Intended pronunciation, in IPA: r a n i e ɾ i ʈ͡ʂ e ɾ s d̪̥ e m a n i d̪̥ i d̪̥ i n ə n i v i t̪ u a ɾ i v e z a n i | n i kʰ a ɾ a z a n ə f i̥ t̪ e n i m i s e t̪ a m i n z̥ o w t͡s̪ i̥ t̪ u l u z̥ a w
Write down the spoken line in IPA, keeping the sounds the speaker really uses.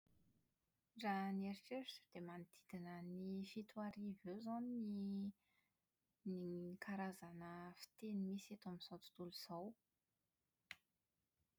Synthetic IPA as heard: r a n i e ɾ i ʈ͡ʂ e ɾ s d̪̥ e m a n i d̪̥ i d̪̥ i n ə n i f i t̪ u a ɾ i v e z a n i | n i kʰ a ɾ a z a n ə f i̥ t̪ e n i m i s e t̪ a m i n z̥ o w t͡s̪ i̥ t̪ u l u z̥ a w